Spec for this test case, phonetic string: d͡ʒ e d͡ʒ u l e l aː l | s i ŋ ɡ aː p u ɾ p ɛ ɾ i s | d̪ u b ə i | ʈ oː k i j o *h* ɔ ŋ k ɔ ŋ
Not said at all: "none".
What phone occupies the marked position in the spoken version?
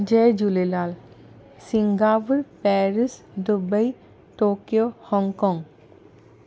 h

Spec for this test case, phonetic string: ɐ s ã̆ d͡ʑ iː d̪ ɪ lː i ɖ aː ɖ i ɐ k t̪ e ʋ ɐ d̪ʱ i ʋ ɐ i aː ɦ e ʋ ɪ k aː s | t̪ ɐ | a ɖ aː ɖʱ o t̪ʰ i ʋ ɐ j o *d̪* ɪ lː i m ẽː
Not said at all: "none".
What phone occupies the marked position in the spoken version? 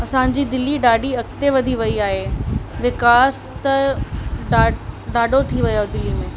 d̪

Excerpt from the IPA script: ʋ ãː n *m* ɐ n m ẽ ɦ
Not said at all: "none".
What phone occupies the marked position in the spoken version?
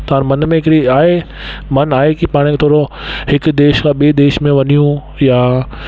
m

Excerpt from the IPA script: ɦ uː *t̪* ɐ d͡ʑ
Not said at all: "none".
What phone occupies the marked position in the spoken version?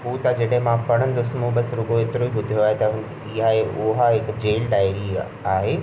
t̪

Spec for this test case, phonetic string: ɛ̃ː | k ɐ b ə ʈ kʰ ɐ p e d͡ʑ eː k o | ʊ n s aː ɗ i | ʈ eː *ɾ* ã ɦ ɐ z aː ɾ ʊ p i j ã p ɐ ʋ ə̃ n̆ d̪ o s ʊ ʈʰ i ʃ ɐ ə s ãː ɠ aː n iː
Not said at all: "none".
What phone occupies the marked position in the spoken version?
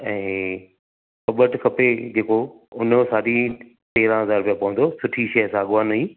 ɾ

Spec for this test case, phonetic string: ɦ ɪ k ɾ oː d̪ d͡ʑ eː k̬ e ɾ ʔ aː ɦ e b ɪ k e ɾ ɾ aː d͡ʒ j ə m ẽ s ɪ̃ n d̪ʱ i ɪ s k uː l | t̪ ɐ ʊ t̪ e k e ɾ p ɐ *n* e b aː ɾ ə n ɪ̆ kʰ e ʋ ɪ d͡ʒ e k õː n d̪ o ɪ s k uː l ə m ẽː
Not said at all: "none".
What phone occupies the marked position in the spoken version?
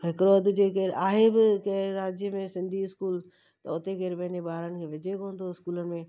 n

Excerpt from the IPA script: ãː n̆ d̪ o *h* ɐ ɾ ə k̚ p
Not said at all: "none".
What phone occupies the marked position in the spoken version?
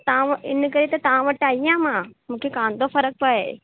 f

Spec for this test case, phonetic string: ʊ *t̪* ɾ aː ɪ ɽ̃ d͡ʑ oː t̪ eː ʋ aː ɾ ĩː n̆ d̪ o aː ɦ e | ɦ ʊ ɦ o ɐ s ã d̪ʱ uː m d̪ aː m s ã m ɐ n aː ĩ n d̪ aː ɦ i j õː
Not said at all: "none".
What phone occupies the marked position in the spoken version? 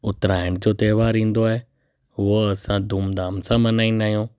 t̪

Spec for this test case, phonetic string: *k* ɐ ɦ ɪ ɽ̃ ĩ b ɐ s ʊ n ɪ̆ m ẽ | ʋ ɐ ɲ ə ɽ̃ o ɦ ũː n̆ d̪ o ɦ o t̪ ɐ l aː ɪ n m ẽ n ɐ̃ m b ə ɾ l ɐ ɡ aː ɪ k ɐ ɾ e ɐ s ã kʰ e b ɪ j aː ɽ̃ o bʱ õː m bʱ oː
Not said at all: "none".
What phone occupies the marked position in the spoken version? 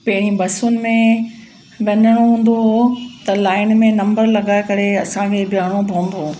p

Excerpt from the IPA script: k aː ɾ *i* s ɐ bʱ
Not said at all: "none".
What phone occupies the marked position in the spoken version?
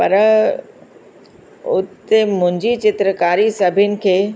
i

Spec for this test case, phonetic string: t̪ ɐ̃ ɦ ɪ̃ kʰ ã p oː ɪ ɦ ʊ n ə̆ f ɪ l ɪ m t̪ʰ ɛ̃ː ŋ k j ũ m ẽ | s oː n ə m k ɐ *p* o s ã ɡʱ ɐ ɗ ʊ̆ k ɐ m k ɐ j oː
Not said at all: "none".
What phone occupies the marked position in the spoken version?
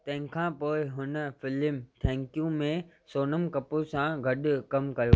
p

